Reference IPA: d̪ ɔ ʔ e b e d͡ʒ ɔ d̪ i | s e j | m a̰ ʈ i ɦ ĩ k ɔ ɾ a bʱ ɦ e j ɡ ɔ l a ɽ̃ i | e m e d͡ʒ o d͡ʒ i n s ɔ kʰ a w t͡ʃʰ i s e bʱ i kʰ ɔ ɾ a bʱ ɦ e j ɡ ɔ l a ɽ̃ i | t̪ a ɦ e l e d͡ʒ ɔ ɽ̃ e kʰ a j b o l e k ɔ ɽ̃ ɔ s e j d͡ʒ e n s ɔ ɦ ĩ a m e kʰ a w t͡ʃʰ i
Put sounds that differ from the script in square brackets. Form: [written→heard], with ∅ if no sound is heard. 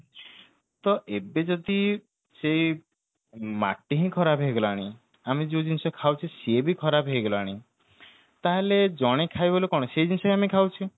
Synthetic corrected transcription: [d̪→t̪] ɔ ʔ e b e d͡ʒ ɔ d̪ i | s e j | m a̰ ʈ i ɦ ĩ [k→kʰ] ɔ ɾ a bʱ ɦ e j ɡ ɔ l a ɽ̃ i | [e→a] m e d͡ʒ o d͡ʒ i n s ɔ kʰ a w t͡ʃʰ i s e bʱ i kʰ ɔ ɾ a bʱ ɦ e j ɡ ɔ l a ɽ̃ i | t̪ a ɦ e l e d͡ʒ ɔ ɽ̃ e kʰ a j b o l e k ɔ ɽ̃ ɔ s e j d͡ʒ [e→i] n s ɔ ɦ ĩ a m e kʰ a w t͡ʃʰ i